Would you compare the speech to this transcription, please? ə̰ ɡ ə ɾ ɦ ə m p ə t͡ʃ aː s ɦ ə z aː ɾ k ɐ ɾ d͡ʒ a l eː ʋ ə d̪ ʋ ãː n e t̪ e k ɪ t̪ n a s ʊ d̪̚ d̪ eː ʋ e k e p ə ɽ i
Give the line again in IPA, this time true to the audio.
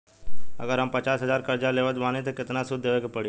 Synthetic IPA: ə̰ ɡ ə ɾ ɦ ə m p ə t͡ʃ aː s ɦ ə z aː ɾ k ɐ ɾ d͡ʒ a l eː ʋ ə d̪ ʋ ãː n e t̪ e k ɪ t̪ n a s ʊ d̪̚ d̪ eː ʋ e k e p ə ɽ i